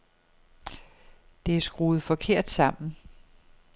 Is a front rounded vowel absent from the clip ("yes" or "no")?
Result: yes